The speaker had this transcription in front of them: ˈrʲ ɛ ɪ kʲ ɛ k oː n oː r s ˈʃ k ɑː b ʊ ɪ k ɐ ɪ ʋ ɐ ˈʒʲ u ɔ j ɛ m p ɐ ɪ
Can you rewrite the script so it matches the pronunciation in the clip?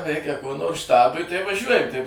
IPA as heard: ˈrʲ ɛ ɪ kʲ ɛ k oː n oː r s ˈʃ t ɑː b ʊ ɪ t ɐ ɪ ʋ ɐ ˈʒʲ u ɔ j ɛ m t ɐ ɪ